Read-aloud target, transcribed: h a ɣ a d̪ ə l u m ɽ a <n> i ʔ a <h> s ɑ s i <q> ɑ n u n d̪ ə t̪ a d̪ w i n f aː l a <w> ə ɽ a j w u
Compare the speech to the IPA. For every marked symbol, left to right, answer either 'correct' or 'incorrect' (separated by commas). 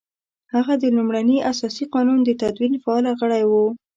correct, incorrect, correct, incorrect